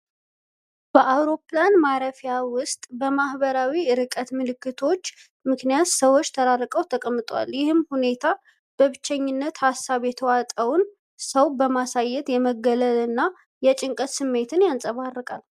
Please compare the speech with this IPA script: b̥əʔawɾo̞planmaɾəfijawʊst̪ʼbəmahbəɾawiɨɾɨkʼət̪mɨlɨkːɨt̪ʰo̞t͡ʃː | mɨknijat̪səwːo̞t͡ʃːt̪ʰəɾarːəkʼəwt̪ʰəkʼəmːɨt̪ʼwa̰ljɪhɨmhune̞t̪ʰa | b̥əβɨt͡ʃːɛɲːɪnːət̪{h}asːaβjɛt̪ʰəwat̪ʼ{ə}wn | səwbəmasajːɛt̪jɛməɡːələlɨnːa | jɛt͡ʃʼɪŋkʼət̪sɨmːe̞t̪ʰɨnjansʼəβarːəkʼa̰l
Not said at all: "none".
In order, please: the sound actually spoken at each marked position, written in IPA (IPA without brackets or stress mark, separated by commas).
h, ə